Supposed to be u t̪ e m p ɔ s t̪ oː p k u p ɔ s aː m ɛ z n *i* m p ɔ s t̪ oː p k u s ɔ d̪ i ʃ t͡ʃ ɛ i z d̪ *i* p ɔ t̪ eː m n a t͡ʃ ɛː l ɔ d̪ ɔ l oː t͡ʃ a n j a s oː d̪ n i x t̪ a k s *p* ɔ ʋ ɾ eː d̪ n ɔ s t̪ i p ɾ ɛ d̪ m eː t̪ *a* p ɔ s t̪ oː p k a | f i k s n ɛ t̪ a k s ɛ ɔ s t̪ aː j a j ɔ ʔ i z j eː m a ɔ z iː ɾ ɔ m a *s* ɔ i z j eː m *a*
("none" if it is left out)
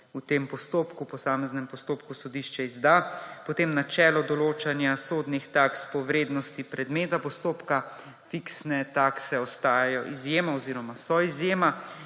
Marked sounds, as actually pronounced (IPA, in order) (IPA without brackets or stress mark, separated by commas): ɛ, a, p, a, s, a